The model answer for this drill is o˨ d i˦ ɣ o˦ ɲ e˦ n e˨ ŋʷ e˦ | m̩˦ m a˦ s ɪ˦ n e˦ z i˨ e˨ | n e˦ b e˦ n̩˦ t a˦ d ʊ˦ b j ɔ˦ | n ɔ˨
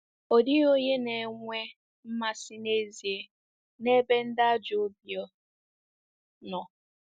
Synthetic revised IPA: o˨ d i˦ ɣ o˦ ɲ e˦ n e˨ ŋʷ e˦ | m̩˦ m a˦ s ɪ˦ n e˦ z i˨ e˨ | n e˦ b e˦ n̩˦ d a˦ d͡ʒ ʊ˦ b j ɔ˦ | n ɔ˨

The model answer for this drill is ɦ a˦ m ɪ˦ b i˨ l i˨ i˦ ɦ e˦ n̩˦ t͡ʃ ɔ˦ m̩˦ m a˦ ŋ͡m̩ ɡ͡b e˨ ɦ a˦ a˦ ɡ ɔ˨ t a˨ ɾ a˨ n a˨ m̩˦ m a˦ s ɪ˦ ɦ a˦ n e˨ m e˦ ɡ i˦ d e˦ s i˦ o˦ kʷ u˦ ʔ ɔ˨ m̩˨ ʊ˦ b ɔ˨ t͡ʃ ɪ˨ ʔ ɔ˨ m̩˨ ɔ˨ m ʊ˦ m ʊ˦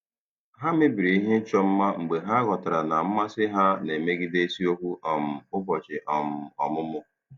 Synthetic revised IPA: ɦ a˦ m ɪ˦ b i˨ ɾ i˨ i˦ ɦ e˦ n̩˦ t͡ʃ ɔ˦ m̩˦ m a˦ ŋ͡m̩ ɡ͡b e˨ ɦ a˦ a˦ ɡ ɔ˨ t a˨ ɾ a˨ n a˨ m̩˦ m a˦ s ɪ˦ ɦ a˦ n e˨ m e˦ ɡ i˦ d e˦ s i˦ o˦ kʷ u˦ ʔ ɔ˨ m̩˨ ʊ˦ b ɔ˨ t͡ʃ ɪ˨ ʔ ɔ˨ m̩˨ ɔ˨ m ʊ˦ m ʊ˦

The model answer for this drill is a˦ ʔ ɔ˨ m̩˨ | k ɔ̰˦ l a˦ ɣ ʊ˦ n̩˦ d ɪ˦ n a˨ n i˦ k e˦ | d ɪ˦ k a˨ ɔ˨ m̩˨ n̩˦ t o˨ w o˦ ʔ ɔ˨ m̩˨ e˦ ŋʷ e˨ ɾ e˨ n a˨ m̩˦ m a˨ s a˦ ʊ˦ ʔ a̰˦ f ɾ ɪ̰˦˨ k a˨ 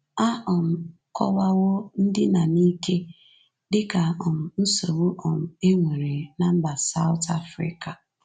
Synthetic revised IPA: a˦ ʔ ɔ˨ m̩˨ | k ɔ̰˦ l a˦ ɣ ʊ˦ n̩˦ d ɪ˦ n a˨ n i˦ k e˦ | d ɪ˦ k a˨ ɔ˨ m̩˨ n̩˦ s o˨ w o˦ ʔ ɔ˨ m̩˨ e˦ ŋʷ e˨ ɾ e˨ n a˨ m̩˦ b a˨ s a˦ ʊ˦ t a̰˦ f ɾ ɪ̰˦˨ k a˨

